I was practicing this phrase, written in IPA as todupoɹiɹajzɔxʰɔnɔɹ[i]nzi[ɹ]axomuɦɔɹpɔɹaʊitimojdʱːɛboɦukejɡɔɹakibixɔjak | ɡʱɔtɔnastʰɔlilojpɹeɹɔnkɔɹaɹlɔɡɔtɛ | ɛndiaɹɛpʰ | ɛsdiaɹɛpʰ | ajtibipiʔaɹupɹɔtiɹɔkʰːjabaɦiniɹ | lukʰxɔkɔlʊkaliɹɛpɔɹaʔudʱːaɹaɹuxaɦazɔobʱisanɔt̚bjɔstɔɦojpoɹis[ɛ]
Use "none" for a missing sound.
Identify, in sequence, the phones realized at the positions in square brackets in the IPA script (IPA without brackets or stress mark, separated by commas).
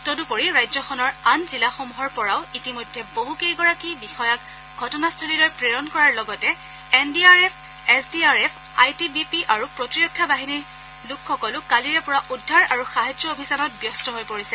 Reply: a, l, ɛ